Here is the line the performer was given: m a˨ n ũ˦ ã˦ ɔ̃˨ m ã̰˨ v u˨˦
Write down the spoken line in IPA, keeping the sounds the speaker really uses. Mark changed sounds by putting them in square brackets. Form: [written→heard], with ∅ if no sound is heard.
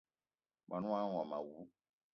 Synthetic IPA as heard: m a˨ n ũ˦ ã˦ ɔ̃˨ m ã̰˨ [v→w] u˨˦